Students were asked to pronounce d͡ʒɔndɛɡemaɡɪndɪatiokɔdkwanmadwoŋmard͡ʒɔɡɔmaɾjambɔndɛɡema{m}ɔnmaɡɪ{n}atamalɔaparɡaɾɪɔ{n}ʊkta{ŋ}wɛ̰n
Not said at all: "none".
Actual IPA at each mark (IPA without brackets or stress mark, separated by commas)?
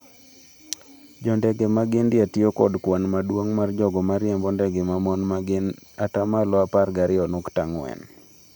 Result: m, n, n, ŋ